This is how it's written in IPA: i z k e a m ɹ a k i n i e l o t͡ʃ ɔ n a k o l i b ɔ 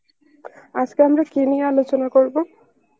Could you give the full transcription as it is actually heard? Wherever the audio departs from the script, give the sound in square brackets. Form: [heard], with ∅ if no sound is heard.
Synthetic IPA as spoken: [a] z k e a m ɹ a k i n i [a] l o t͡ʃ ɔ n a k o [ɹ] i b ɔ